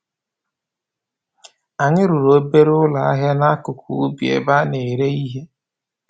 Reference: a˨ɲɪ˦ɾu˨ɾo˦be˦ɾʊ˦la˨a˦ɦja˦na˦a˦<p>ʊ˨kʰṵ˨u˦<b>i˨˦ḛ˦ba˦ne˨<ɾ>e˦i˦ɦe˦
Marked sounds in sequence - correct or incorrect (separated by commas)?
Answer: incorrect, correct, correct